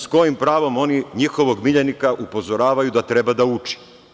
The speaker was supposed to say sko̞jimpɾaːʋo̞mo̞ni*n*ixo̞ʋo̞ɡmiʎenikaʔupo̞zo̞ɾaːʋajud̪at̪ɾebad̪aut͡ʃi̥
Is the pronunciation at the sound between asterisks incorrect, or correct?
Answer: incorrect